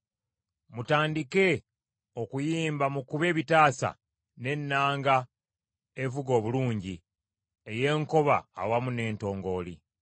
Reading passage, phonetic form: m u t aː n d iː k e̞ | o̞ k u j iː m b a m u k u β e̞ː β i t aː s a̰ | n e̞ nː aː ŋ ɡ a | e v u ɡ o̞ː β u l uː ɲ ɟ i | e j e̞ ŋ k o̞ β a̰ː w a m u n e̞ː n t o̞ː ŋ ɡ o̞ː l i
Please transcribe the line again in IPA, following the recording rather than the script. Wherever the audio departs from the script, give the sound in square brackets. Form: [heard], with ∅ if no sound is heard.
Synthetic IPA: m u t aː n d [i] k e̞ | o̞ k u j iː m b a m u k u β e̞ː β i t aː s a̰ | n e̞ nː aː ŋ ɡ a | e v u ɡ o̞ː β u l uː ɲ ɟ i | e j e̞ ŋ k o̞ β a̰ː w a m u n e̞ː n t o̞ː ŋ ɡ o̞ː l i